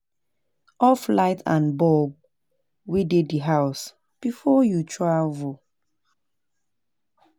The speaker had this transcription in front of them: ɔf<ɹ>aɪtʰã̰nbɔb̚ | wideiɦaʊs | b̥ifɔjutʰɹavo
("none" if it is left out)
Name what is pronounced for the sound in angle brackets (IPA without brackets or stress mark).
l